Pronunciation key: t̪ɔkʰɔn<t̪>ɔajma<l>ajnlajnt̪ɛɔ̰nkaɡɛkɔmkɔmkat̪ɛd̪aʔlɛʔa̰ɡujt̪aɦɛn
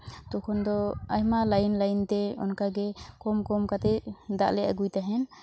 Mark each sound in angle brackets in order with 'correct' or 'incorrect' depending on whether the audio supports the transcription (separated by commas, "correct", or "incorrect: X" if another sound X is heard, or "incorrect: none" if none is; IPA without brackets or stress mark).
incorrect: d̪, correct